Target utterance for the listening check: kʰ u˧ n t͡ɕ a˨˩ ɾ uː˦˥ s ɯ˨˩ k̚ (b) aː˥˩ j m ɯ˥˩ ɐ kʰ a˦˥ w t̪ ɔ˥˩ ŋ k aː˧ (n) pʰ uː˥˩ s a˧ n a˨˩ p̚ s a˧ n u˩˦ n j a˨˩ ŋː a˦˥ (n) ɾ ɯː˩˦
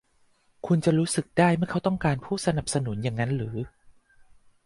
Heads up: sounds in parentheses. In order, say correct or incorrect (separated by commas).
incorrect, correct, correct